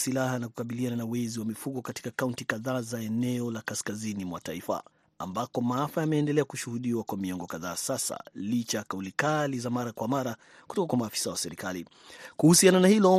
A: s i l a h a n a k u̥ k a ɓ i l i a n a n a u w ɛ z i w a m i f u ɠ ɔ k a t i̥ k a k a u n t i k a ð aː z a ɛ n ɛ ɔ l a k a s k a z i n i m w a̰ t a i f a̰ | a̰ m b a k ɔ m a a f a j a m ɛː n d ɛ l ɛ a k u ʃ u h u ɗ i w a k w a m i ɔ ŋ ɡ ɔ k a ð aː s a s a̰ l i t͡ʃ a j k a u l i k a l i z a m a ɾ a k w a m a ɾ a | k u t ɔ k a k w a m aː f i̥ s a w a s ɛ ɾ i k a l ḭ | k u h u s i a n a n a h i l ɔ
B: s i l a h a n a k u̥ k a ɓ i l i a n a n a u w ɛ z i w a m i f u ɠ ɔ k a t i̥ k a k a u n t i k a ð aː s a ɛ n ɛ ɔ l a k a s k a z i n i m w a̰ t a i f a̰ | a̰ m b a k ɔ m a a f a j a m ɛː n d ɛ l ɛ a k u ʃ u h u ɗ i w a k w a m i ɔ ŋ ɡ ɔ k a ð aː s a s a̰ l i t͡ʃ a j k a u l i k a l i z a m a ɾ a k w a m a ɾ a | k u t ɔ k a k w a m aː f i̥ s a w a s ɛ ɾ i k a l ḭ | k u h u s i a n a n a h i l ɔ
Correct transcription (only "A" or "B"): A